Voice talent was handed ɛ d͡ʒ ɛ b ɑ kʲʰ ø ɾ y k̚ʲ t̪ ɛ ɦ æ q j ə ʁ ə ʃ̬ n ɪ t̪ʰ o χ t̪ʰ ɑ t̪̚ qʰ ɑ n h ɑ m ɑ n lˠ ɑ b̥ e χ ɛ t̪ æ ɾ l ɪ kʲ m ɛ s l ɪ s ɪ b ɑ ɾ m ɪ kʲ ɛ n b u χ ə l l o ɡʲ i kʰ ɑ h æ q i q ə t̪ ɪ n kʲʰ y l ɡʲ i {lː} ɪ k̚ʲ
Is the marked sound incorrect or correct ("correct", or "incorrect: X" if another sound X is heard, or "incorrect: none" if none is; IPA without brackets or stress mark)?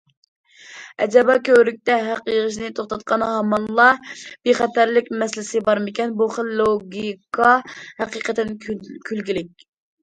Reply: incorrect: l